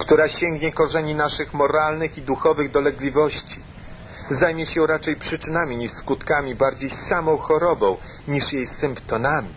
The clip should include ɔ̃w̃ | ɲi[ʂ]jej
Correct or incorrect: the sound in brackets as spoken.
correct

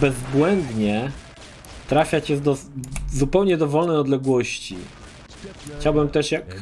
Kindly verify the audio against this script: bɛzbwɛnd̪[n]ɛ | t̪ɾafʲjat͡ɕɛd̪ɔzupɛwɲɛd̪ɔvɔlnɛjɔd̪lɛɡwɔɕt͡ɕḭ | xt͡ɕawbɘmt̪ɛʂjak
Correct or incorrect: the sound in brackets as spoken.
incorrect: ɲ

